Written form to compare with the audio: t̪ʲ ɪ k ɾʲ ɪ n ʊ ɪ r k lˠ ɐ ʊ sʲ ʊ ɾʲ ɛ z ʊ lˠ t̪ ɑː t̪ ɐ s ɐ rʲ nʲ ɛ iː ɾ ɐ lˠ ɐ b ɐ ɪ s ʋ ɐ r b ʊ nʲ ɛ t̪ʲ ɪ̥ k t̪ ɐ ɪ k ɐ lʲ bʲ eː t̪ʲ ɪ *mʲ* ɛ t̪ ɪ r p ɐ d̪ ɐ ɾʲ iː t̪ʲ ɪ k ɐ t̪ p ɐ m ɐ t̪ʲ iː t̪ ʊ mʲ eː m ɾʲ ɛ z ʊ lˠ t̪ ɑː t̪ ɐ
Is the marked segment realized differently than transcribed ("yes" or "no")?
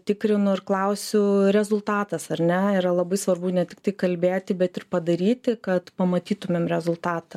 yes